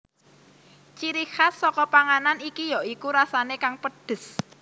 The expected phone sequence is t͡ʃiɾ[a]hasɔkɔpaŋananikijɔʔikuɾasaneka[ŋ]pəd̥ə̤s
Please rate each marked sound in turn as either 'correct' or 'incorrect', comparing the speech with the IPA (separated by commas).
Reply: incorrect, correct